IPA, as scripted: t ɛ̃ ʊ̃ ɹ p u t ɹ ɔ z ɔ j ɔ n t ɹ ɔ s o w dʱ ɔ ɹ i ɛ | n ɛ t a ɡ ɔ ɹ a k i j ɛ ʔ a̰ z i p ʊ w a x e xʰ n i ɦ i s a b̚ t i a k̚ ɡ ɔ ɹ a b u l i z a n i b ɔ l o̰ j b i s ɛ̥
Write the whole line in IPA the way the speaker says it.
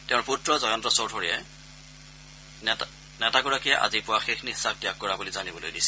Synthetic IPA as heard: t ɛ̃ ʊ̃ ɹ p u t ɹ ɔ z ɔ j ɔ n t ɹ ɔ s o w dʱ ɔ ɹ i ɛ | n ɛ t a ɡ ɔ ɹ a k i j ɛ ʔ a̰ z i p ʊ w a x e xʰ n i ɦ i s a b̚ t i a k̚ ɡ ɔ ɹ a b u l i z a n i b ɔ l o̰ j d i s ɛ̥